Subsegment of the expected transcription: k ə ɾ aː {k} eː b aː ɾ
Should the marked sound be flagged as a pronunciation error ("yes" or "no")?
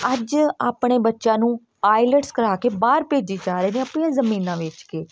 no